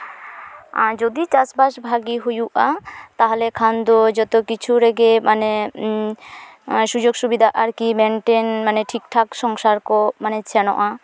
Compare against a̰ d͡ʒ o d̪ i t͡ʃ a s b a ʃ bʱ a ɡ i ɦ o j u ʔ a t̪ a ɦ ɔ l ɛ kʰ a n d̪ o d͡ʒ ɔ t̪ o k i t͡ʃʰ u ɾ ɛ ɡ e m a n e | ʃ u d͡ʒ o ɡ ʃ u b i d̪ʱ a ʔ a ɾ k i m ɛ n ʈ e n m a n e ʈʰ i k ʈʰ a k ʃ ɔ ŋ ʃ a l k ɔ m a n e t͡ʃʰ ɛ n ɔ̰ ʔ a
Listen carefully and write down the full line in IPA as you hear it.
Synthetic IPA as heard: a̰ d͡ʒ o d̪ i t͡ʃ a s b a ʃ bʱ a ɡ i ɦ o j u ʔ a t̪ a ɦ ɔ l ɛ kʰ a n d̪ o d͡ʒ ɔ t̪ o k i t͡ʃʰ u ɾ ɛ ɡ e m a n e | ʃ u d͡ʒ o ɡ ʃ u b i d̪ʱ a ʔ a ɾ k i m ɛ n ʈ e n m a n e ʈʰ i k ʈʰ a k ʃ ɔ ŋ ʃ a ɾ k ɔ m a n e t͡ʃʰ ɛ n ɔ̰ ʔ a